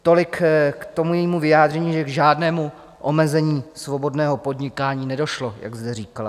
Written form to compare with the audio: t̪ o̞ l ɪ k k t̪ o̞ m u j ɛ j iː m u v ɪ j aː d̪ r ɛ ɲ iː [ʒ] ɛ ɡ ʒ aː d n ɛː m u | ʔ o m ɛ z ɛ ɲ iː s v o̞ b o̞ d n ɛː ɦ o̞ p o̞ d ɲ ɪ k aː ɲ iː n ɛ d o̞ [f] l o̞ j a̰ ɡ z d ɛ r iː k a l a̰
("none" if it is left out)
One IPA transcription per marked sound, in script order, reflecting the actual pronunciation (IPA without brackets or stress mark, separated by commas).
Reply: ʒ, ʃ